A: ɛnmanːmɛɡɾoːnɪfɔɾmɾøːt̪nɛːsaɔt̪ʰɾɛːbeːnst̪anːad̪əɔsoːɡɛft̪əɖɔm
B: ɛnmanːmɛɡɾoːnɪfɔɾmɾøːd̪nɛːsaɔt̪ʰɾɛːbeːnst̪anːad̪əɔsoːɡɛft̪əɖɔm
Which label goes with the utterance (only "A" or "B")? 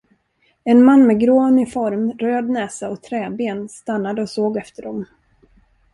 B